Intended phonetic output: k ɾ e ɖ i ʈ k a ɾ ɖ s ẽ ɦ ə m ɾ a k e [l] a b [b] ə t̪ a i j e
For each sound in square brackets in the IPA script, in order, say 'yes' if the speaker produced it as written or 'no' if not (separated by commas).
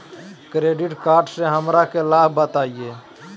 yes, yes